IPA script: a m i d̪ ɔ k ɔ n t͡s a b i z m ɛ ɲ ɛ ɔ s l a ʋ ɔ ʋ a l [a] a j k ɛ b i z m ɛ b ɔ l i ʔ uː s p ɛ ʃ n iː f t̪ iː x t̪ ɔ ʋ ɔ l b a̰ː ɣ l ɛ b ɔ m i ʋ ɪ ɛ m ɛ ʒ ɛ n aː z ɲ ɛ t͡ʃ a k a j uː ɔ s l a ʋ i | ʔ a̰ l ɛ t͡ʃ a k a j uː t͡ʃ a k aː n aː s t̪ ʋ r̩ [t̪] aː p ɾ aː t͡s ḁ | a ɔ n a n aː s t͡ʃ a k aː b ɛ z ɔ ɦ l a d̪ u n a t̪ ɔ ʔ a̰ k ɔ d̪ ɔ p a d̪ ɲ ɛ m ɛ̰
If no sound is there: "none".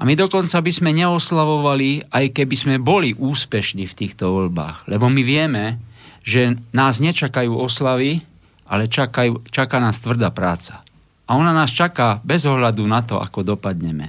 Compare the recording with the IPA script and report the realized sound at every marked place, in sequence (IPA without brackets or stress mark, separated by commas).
i, d̪